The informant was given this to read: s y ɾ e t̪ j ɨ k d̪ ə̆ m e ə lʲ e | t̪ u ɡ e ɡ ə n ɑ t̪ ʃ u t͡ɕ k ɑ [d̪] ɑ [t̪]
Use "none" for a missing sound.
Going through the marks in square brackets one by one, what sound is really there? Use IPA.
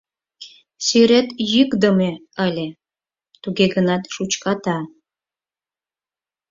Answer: t̪, none

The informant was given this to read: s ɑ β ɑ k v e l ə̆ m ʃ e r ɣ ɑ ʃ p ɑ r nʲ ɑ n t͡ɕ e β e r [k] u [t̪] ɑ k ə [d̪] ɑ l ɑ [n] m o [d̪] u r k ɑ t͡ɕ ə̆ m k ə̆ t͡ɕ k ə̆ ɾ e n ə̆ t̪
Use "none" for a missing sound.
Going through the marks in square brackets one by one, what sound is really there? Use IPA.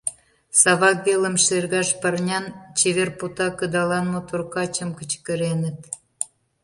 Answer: p, t̪, d̪, n, t̪

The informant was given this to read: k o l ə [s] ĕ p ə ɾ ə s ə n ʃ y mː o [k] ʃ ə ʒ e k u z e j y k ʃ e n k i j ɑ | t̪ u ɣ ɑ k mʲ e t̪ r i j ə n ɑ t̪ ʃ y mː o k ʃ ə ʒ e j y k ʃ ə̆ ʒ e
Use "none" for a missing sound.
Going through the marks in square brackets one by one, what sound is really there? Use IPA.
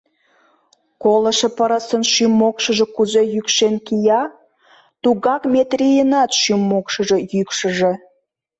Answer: ʃ, k

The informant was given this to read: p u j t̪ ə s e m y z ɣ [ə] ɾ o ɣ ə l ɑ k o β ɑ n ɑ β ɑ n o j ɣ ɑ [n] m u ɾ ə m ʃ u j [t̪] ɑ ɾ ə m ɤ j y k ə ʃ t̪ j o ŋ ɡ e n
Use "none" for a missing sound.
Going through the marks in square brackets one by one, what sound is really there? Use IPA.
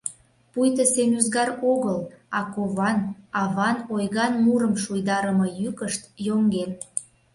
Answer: ɑ, n, d̪

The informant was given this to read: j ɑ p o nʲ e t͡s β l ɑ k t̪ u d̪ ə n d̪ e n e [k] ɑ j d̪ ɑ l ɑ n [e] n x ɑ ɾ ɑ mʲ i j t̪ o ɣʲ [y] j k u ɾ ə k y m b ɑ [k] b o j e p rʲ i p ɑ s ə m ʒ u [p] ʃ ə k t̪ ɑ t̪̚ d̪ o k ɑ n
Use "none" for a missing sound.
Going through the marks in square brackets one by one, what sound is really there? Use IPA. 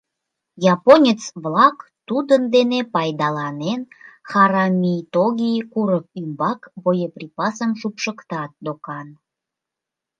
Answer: p, e, i, k, p

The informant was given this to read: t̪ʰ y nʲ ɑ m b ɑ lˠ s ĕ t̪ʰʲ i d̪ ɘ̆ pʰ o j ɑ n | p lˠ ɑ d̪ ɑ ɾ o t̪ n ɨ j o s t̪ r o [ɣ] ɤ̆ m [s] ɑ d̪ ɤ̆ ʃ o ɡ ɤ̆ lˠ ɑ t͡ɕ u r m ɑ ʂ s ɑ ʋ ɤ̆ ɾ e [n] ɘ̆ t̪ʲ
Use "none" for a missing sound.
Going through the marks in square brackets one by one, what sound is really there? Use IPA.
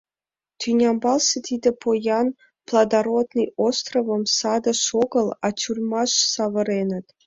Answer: v, s, n

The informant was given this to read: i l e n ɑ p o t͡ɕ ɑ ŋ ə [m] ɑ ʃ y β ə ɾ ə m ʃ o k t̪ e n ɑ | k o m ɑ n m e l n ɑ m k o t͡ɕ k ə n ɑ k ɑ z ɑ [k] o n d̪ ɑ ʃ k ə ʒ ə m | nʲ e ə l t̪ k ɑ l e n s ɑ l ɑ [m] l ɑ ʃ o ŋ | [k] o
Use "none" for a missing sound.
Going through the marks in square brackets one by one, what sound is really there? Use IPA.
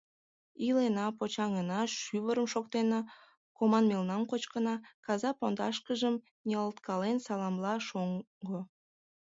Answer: n, p, m, ɡ

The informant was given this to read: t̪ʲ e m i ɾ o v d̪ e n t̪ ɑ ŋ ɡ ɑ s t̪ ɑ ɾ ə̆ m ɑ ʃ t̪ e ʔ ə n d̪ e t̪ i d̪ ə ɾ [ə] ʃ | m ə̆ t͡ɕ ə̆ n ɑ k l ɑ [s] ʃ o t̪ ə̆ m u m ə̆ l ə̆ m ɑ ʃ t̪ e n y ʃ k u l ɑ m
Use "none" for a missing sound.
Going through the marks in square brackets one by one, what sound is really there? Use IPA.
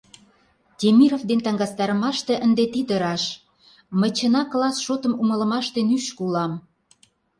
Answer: ɑ, s

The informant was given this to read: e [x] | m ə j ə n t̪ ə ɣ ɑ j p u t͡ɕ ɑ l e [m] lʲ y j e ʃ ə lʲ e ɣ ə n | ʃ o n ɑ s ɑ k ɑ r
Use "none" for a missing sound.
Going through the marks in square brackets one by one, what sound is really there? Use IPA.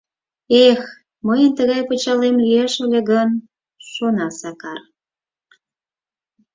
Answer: x, m

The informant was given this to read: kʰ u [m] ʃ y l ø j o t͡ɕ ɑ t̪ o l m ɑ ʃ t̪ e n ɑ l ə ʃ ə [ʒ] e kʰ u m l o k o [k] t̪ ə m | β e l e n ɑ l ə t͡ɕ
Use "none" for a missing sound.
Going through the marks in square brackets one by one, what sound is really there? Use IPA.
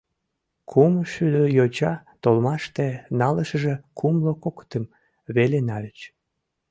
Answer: m, ʒ, k

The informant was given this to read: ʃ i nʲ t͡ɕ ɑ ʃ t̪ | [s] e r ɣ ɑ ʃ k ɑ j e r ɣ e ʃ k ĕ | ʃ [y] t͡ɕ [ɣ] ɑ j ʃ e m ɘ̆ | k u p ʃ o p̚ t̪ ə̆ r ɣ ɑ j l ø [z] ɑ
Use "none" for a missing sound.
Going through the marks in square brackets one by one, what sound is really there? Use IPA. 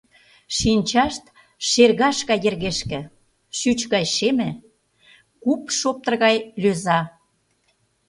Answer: ʃ, y, ɣ, z

